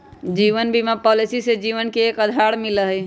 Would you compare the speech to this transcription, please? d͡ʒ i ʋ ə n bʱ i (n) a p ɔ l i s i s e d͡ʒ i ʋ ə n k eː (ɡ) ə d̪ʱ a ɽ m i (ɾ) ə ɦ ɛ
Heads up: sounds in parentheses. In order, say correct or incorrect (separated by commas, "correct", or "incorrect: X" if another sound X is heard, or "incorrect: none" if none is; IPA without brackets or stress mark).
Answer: incorrect: m, incorrect: k, incorrect: l